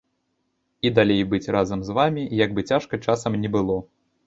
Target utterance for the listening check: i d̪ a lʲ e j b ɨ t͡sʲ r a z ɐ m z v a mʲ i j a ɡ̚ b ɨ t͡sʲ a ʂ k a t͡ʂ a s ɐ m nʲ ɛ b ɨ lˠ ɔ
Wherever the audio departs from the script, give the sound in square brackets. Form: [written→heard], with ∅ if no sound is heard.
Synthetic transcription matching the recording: i d̪ a lʲ e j b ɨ t͡sʲ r a z ɐ m z v a mʲ i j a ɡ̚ b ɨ t͡sʲ a ʂ k [a→ɐ] t͡ʂ a s ɐ m nʲ ɛ b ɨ lˠ ɔ